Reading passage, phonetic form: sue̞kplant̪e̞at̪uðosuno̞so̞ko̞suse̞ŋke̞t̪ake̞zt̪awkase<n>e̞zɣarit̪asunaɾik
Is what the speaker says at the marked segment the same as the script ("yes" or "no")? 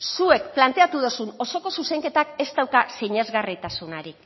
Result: no